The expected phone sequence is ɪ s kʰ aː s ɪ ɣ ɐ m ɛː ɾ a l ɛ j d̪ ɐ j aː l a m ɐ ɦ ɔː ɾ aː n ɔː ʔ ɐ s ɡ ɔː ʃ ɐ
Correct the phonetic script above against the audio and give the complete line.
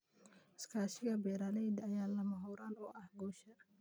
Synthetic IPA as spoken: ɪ s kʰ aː ʃ ɪ ɣ ɐ b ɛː ɾ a l ɛ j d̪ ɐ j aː l ɐ m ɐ ɦ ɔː ɾ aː n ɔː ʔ ɐ h ɡ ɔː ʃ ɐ